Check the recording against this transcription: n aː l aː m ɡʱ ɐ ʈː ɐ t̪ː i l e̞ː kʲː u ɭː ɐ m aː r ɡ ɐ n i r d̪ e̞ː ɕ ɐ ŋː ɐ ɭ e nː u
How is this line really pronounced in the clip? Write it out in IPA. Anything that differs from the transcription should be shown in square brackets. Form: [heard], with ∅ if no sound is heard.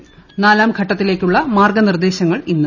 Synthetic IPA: n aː l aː m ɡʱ ɐ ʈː ɐ t̪ː i l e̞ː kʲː u ɭː ɐ m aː r ɡ ɐ n i r d̪ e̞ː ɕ ɐ ŋː ɐ ɭ [i] nː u